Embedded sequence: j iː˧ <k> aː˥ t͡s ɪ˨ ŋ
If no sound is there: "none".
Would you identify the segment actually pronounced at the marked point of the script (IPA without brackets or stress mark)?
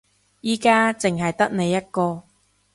k